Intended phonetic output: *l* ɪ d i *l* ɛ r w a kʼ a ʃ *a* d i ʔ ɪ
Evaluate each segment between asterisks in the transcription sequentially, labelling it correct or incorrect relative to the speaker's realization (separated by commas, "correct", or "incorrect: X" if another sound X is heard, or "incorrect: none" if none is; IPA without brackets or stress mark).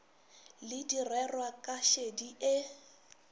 correct, incorrect: r, incorrect: e